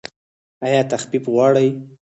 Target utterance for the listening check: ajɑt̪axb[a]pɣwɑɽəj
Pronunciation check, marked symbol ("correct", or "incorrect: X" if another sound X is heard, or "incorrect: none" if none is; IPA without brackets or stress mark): incorrect: i